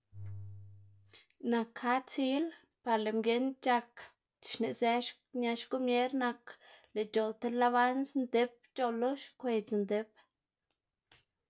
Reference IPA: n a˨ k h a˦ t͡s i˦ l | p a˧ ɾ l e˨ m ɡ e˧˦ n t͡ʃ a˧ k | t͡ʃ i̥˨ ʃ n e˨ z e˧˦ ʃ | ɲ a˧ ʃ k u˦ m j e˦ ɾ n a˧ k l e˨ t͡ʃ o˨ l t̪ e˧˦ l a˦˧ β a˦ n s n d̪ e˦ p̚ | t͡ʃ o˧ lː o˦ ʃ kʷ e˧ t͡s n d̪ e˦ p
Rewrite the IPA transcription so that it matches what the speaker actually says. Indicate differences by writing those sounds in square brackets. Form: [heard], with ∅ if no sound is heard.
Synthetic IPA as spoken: n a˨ k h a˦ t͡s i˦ l | p a˧ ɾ l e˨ m ɡ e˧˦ n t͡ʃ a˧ k | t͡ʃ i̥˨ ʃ n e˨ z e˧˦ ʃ | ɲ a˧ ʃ k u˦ m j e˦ ɾ n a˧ k l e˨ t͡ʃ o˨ l t̪ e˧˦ l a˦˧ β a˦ n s n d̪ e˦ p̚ | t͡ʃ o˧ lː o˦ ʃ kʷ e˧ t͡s n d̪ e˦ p